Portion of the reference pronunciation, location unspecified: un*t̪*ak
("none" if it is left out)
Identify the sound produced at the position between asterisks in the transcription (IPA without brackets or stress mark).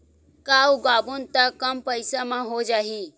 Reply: t̪